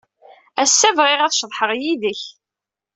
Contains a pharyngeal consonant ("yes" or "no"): yes